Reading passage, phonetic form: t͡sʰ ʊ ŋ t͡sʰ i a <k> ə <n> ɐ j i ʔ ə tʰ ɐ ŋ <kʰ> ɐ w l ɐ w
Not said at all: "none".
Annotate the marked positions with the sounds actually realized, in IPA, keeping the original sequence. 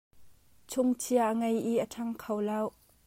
ʔ, ŋ, kʰ

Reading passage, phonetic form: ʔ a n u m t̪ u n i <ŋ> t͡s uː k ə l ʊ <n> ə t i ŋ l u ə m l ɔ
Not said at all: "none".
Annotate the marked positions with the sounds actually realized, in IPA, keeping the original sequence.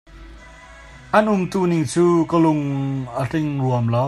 ŋ, ŋ

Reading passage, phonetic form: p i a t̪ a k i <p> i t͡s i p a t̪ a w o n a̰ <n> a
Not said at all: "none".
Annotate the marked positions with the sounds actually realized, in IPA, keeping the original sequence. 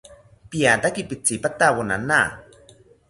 p, n

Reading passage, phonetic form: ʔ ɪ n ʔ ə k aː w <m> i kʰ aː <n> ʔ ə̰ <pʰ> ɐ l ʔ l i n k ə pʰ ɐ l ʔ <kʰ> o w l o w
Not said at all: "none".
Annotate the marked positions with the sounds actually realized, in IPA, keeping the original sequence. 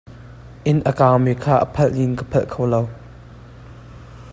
m, none, pʰ, kʰ

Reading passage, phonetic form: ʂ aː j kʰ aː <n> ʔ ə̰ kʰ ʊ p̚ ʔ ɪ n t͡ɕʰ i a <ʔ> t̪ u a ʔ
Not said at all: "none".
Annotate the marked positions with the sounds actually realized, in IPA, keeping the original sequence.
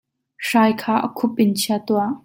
none, none

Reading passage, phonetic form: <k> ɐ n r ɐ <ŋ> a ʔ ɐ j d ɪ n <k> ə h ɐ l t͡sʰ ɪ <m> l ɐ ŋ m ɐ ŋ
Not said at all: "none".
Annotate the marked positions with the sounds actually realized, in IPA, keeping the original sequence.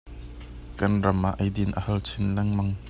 k, m, ʔ, n

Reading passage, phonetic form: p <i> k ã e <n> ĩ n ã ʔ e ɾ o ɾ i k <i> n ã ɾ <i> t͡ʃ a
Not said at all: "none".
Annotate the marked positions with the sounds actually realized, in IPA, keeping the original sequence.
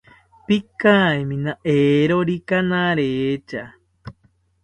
i, m, a, e

